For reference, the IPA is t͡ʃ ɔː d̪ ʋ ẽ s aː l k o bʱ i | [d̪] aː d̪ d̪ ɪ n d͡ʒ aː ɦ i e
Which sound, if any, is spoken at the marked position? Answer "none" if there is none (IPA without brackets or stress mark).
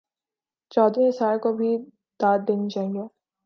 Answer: d̪